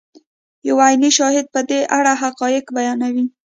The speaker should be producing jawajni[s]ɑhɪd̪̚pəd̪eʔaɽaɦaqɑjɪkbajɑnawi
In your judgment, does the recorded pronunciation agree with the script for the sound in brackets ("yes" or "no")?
no